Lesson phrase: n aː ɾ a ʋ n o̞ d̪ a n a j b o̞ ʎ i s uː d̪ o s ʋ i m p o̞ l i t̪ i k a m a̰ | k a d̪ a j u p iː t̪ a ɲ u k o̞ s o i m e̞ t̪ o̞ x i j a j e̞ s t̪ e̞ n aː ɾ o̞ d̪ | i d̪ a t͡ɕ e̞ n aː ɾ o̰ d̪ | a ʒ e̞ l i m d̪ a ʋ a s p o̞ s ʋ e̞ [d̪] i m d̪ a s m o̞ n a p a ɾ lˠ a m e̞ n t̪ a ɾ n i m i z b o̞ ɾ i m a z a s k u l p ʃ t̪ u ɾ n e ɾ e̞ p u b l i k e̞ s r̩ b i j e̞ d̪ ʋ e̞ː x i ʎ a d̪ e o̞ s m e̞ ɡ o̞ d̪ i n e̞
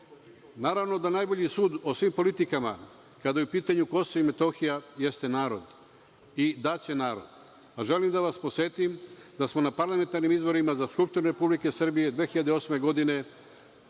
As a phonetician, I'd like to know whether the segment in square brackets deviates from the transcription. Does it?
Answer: yes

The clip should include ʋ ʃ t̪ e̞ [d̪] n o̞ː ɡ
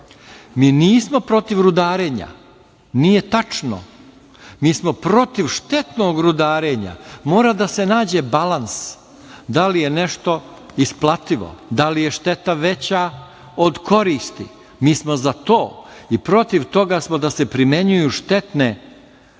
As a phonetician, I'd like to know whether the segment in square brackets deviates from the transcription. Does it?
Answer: yes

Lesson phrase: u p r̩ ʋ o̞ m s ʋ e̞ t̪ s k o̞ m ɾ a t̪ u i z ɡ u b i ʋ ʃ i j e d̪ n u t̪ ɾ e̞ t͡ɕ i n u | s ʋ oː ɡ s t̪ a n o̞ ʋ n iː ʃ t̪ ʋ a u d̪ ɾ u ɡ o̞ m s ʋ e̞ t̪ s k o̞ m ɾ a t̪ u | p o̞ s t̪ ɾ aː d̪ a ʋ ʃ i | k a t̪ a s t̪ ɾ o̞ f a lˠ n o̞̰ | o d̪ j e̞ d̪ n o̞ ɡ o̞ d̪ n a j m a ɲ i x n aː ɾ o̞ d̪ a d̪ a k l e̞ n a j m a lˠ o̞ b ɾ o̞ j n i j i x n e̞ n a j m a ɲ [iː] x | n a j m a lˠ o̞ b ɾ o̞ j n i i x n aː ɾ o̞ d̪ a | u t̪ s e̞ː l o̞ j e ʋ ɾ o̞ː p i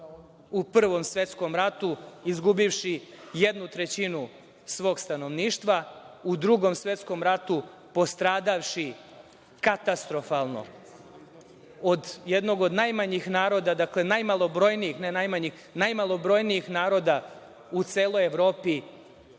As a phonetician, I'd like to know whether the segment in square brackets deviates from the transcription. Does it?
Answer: yes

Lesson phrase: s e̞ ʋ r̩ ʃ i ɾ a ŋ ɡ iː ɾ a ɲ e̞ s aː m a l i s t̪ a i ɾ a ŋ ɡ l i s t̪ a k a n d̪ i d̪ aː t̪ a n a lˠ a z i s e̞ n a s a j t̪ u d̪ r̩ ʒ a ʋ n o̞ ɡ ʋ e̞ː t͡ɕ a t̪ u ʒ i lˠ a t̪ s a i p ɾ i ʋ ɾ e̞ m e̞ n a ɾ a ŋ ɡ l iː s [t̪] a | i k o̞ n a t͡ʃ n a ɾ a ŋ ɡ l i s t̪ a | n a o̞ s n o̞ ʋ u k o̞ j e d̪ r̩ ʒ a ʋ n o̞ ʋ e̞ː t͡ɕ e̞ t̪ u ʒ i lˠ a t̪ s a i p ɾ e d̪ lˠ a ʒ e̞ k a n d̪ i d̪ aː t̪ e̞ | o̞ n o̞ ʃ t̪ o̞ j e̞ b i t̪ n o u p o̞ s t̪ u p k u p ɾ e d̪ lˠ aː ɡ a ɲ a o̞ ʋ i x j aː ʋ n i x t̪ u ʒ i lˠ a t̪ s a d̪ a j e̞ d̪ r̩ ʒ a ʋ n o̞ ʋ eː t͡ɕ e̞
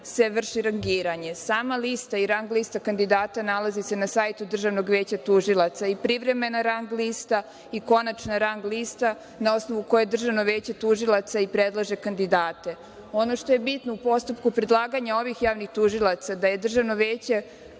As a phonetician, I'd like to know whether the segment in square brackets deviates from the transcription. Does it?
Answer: no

